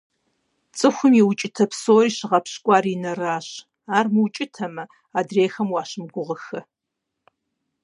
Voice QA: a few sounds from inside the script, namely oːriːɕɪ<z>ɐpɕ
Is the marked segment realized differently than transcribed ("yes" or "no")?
yes